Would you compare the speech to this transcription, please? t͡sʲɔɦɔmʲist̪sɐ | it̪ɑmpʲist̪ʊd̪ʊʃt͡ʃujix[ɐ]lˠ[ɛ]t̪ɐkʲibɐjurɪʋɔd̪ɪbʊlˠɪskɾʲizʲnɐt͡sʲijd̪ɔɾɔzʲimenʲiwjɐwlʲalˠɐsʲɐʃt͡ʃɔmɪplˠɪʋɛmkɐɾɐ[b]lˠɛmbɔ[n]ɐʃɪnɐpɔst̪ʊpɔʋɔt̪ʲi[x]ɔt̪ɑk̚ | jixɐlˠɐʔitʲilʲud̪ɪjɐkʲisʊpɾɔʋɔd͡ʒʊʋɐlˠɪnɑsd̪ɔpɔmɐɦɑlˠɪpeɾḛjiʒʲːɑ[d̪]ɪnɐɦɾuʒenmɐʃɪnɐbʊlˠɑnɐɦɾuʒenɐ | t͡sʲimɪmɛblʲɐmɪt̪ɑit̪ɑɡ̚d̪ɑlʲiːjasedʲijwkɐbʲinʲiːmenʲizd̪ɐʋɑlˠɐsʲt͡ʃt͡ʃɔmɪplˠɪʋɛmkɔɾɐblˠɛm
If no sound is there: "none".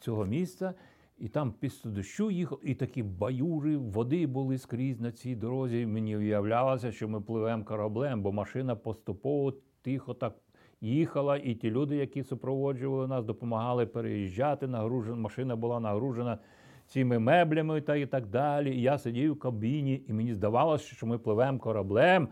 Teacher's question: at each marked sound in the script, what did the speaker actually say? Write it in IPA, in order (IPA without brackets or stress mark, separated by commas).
ɐ, i, b, m, x, t̪